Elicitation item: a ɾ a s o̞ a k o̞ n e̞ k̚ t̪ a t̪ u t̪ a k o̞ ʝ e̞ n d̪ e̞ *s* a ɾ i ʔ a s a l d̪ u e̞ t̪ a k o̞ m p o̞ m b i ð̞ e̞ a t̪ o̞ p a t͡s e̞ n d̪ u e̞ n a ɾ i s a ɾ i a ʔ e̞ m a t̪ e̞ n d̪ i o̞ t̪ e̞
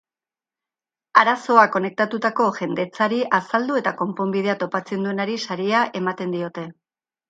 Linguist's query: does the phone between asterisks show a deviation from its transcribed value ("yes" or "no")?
yes